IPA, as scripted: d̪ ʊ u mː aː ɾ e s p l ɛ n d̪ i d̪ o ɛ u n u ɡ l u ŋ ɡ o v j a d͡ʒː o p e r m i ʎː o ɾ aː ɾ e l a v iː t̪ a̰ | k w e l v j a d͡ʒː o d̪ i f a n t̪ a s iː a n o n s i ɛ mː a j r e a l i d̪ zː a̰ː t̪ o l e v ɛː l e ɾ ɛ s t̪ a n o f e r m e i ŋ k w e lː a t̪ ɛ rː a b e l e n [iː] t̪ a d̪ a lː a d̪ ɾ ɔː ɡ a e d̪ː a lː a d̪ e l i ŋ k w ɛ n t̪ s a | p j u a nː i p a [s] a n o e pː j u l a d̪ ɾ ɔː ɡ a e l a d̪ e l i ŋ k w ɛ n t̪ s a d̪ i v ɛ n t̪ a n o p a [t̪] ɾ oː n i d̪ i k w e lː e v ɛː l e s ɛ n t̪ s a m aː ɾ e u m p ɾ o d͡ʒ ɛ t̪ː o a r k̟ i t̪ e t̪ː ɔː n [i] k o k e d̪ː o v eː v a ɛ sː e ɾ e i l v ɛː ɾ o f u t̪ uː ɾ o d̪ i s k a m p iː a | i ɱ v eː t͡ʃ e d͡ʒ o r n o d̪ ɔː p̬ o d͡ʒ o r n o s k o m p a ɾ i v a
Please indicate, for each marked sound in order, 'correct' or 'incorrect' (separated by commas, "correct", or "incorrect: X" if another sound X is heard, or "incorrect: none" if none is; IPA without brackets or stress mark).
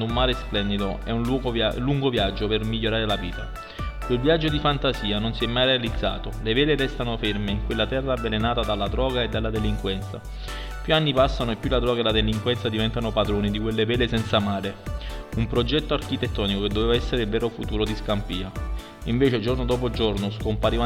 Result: incorrect: aː, incorrect: sː, incorrect: d̪, correct